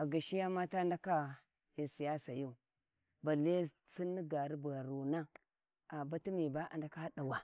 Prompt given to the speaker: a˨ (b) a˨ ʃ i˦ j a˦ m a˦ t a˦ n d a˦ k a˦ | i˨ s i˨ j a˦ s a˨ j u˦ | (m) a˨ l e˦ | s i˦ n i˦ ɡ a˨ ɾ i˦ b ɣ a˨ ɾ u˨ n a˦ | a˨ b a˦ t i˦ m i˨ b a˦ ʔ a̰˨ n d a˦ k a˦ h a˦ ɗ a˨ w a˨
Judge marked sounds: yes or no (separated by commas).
no, no